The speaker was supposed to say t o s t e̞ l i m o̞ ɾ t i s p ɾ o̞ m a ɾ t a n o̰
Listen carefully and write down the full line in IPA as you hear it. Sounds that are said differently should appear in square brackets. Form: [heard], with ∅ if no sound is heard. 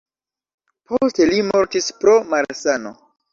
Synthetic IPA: [p] o s t e̞ l i m o̞ ɾ t i s p ɾ o̞ m a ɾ [s] a n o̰